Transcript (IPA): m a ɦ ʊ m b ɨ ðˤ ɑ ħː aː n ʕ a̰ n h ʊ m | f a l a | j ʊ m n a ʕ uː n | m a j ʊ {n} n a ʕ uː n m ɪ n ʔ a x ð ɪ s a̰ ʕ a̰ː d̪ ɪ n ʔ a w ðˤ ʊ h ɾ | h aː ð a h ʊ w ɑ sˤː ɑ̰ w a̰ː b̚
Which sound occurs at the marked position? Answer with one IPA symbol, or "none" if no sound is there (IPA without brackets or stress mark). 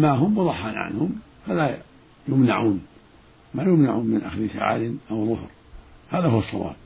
m